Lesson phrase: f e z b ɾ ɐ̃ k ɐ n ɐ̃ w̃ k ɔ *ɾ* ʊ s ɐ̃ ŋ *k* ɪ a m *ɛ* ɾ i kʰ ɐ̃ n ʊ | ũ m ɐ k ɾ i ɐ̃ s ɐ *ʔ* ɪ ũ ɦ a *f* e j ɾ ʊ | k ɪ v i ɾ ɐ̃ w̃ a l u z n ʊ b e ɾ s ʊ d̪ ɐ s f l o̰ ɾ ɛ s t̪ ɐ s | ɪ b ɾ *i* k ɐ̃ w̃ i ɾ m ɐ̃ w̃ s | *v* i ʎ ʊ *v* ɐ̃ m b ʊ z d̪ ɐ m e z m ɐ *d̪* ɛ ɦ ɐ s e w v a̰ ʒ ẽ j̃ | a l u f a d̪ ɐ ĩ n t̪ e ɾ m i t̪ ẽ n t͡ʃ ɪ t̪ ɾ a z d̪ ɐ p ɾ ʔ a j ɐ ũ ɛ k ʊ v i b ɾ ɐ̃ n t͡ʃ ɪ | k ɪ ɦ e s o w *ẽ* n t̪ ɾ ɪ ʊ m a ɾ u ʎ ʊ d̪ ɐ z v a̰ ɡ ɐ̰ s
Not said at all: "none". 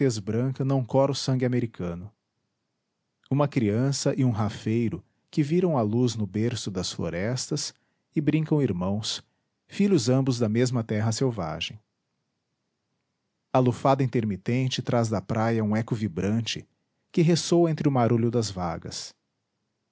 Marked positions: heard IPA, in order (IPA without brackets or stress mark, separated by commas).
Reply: ɾ, ɡ, e, ʔ, f, ĩ, f, z, t̪, ẽ